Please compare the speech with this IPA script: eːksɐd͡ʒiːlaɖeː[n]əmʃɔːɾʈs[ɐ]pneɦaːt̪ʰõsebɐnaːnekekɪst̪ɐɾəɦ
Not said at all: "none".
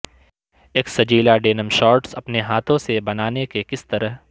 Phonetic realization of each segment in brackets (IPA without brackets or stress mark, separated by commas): n, ɐ